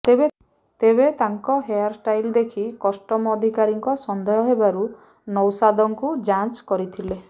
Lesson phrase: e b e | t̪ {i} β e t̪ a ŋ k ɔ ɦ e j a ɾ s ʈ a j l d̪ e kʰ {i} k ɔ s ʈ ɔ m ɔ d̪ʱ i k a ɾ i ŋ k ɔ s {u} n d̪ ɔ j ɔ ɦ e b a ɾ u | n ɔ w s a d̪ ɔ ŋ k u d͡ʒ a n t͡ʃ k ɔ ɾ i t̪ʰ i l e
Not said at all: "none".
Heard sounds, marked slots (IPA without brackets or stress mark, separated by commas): e, i, ɔ